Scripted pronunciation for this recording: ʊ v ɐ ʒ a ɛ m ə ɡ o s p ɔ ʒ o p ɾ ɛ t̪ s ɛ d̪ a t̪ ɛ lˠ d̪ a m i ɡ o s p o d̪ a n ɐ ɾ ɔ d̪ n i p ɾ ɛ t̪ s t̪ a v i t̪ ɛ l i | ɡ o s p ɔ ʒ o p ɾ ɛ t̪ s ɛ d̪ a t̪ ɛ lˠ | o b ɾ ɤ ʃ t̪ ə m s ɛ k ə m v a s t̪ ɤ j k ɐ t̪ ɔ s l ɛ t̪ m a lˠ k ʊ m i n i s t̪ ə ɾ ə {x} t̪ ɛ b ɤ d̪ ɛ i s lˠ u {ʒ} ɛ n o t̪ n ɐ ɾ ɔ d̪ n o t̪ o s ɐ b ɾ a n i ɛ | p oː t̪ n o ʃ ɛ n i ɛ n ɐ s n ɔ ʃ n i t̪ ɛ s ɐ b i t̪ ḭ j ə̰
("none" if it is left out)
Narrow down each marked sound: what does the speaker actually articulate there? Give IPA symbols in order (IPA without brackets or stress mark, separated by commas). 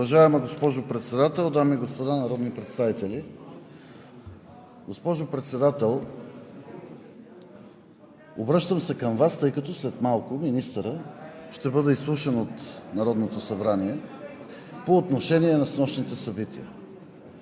ʃ, ʃ